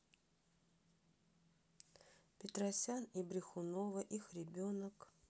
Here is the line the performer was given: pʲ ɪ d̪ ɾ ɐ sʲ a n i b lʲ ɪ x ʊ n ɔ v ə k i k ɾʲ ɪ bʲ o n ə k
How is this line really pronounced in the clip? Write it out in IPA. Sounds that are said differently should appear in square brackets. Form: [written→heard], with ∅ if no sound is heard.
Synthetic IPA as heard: pʲ ɪ [d̪→t̪] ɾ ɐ sʲ a n i b [lʲ→ɾʲ] ɪ x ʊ n [ɔ→o] v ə [k→ʔ] i [k→x] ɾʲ ɪ bʲ o n ə k

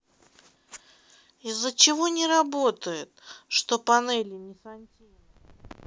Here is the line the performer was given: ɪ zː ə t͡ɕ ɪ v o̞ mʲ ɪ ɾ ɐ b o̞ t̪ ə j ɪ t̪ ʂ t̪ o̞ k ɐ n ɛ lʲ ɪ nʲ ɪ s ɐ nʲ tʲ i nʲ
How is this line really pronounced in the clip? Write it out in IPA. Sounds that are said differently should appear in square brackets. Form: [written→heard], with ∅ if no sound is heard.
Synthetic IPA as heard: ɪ zː ə t͡ɕ ɪ v o̞ [mʲ→nʲ] ɪ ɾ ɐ b o̞ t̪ ə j ɪ t̪ ʂ t̪ o̞ [k→p] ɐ n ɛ lʲ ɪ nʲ ɪ s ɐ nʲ tʲ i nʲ

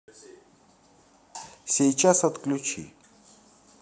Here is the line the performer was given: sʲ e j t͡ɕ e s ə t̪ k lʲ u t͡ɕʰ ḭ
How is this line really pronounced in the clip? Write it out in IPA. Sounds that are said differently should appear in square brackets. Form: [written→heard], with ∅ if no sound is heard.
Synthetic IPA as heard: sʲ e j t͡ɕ [e→a] s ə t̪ k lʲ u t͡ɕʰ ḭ

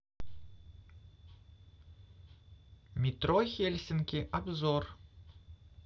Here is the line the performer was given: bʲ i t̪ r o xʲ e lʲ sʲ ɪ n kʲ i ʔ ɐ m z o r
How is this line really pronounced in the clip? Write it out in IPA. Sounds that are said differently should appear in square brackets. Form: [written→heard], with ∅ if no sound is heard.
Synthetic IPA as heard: [bʲ→mʲ] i t̪ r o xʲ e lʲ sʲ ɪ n kʲ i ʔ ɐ [m→b] z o r

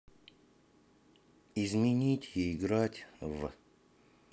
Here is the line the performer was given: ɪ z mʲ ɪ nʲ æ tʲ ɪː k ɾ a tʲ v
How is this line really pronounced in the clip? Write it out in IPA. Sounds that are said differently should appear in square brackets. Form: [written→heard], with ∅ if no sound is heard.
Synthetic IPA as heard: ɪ z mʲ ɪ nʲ [æ→i] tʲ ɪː [k→ɡ] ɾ a tʲ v

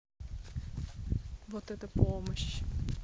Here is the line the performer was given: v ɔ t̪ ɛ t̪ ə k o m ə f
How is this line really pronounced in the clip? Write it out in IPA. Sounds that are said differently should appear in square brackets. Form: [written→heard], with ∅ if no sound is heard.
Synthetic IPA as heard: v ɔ t̪ ɛ t̪ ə [k→p] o m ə [f→ɕ]

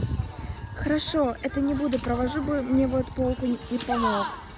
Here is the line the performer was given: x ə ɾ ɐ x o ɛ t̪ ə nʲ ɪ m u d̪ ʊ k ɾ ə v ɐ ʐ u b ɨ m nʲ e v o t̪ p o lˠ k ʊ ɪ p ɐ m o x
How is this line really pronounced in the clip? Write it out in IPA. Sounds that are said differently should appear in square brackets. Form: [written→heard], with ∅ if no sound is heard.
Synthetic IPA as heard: x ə ɾ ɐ [x→ʂ] o ɛ t̪ ə nʲ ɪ [m→b] u d̪ ʊ [k→p] ɾ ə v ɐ ʐ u b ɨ m nʲ e v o t̪ p o lˠ k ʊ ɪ p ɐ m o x

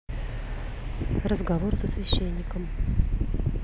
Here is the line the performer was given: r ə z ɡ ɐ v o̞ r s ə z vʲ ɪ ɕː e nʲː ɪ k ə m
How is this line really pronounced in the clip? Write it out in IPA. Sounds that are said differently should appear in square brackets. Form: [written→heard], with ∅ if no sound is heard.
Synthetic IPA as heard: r ə z ɡ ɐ v o̞ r s ə [z→s] vʲ ɪ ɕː e nʲː ɪ k ə m

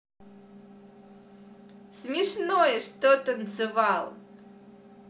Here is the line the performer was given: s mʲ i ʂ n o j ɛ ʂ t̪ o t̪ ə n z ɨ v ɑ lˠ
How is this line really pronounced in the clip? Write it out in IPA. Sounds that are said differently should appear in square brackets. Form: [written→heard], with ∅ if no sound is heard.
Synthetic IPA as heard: s mʲ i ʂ n o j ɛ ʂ t̪ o t̪ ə n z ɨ v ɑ lˠ

